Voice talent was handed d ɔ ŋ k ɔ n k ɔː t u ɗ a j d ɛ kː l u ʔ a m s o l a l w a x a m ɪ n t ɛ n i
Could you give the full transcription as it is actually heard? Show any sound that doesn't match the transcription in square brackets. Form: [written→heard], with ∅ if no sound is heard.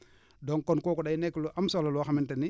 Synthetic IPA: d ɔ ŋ k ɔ n k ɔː [t→k] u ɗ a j [d→n] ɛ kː l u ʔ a m s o l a l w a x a m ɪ n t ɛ n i